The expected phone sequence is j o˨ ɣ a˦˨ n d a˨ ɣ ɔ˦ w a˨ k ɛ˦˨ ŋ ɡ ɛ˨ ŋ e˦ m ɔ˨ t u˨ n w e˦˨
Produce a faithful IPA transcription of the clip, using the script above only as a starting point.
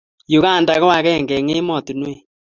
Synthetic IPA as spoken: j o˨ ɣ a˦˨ n d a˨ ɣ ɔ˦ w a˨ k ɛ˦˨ ŋ ɡ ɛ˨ ŋ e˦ m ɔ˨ t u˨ n w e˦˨